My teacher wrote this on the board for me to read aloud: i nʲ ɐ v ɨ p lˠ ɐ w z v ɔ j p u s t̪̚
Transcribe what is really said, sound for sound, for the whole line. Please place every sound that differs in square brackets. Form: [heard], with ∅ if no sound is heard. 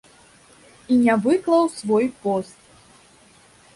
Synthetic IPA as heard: i nʲ [a] v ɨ [k] lˠ ɐ w [s] v ɔ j p [ɔ] s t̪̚